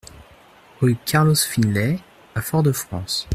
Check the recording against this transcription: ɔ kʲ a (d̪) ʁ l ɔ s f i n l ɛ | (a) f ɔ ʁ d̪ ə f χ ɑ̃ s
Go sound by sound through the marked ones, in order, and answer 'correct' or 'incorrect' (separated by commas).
incorrect, correct